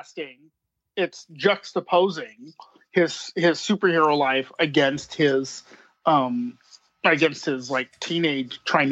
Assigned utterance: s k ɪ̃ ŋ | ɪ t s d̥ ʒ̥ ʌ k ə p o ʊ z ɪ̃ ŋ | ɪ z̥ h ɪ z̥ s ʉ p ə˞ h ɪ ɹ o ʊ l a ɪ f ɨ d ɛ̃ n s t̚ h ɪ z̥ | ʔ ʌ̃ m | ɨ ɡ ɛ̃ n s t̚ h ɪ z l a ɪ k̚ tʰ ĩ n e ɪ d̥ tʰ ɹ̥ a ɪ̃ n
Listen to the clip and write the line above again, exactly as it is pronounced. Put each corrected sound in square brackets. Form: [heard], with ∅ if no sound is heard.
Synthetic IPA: s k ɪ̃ ŋ | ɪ t s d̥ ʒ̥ ʌ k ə [pʰ] o ʊ z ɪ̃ ŋ | ɪ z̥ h ɪ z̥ s ʉ p ə˞ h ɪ ɹ o ʊ l a ɪ f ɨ [ɡ] ɛ̃ n s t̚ h ɪ z̥ | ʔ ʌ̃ m | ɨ ɡ ɛ̃ n s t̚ h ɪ z l a ɪ k̚ tʰ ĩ n e ɪ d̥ tʰ ɹ̥ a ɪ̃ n